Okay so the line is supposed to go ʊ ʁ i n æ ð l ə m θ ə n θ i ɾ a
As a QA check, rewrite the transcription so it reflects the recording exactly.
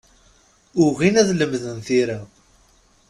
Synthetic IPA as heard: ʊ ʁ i n æ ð l ə m ð ə n θ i ɾ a